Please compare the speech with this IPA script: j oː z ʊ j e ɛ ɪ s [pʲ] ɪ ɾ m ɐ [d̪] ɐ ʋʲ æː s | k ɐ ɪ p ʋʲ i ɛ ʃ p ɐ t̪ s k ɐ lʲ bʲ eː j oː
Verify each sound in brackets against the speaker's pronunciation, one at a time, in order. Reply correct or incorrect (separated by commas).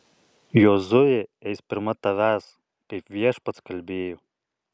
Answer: correct, incorrect